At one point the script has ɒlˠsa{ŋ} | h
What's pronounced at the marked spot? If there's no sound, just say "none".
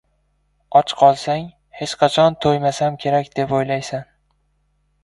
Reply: ŋ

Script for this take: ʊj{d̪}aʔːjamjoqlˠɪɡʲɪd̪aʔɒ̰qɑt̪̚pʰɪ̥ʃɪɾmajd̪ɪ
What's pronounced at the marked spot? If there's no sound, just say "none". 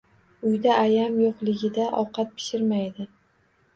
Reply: d̪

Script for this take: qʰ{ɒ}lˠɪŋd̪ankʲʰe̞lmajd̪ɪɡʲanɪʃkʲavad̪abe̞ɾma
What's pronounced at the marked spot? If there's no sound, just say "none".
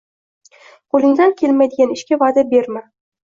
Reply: o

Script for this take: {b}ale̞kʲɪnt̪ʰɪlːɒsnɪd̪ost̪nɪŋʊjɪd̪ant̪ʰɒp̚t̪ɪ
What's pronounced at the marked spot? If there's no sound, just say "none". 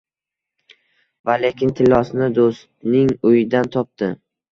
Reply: v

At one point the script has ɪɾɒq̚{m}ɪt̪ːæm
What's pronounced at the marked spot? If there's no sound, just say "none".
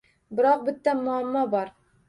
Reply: b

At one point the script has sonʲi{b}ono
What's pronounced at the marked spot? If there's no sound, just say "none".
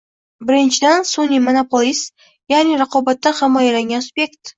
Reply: m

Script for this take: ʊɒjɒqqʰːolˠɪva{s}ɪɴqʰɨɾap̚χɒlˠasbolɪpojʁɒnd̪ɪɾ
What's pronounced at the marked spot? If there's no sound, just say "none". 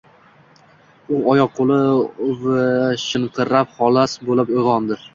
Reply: ʃ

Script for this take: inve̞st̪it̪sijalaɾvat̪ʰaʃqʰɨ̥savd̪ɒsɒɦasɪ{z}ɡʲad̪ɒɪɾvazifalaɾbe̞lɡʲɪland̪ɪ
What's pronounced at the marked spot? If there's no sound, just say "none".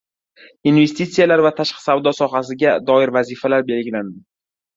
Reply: none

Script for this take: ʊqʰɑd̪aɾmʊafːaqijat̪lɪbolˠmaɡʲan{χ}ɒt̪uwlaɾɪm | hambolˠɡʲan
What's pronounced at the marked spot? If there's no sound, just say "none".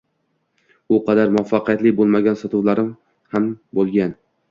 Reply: s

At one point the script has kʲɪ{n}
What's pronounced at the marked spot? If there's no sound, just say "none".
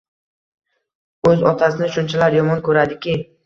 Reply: none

